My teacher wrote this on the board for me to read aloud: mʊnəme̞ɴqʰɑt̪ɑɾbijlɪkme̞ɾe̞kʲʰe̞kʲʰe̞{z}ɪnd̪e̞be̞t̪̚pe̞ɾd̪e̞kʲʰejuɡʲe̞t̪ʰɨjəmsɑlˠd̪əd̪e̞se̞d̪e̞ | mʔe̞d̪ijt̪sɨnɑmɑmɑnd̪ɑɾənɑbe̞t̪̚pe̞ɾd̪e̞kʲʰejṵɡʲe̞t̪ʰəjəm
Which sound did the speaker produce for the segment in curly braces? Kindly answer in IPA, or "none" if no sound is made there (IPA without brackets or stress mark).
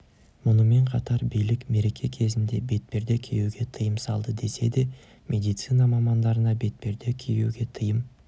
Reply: z